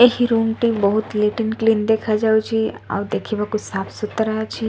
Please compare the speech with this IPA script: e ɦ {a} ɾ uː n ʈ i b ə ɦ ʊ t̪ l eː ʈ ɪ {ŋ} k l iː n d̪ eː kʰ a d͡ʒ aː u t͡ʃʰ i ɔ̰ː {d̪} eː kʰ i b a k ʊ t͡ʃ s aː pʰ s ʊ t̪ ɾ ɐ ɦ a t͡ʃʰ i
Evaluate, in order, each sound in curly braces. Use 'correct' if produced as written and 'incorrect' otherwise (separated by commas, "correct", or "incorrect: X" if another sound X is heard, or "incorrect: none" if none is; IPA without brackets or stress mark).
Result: incorrect: i, incorrect: n, correct